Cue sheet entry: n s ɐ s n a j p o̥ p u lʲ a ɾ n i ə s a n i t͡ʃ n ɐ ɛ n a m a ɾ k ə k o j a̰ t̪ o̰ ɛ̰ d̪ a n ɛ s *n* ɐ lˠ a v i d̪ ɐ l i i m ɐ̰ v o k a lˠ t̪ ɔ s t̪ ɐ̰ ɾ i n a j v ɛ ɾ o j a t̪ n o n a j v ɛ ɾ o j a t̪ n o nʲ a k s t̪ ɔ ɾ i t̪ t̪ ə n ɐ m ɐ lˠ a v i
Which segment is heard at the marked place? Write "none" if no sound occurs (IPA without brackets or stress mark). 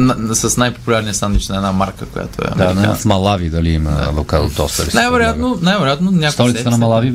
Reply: m